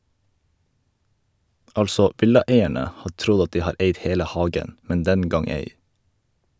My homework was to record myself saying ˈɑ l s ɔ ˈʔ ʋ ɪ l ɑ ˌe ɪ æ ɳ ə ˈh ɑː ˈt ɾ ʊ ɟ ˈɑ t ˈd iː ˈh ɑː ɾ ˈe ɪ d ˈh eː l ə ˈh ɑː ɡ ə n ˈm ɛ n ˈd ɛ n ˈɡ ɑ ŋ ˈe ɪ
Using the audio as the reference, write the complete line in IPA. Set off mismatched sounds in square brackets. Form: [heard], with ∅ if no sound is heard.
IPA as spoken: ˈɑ l s ɔ ˈʔ ʋ ɪ l ɑ ˌe ɪ æ ɳ ə ˈh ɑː ˈt ɾ ʊ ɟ ˈɑ t ˈd iː ˈh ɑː ɾ ˈe ɪ d ˈh eː l ə ˈh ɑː ɡ ə n ˈm ɛ n ˈd ɛ n ˈɡ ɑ ŋ ˈe ɪ